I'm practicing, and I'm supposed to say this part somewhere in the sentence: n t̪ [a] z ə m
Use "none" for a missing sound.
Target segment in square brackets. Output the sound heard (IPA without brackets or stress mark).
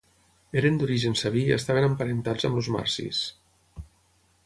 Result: a